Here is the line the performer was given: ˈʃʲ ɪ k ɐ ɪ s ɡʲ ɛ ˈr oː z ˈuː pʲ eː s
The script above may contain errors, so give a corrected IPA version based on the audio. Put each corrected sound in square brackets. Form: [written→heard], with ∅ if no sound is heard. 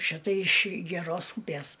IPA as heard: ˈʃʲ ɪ [k→t] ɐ ɪ [s→ʃ] ɡʲ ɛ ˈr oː [z→s] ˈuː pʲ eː s